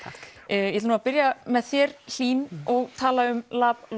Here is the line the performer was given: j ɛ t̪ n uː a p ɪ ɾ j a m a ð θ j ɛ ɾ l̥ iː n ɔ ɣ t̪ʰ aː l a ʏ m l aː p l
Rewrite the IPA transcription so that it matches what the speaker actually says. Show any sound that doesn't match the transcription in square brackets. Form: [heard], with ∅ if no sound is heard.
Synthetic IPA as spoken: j ɛ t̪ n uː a p ɪ ɾ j a m [ɛ] ð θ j ɛ ɾ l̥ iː n ɔ ɣ t̪ʰ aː l a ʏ m l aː p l